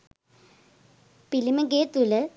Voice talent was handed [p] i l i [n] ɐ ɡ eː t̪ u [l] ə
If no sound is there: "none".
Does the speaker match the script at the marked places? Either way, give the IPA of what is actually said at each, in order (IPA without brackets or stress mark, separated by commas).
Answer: p, m, l